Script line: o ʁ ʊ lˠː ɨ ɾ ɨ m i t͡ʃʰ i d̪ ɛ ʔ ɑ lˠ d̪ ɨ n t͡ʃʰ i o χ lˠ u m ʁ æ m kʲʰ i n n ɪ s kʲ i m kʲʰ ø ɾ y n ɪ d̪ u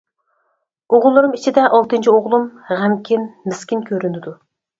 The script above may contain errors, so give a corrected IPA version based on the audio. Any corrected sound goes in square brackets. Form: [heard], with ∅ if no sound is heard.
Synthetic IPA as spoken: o ʁ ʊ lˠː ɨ ɾ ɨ m i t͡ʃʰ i d̪ ɛ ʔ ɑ lˠ [t̪] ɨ n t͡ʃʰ i o [ʁ] lˠ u m ʁ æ m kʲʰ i n [m] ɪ s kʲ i [n] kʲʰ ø ɾ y n ɪ d̪ u